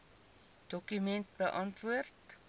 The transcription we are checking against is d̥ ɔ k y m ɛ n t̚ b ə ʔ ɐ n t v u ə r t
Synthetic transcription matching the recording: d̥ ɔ k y m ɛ n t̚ b ə ʔ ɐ n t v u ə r t